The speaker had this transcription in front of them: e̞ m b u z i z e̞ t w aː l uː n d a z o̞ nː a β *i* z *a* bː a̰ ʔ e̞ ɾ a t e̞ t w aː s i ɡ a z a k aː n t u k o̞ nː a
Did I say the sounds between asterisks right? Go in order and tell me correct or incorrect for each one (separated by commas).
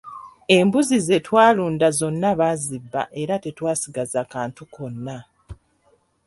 incorrect, incorrect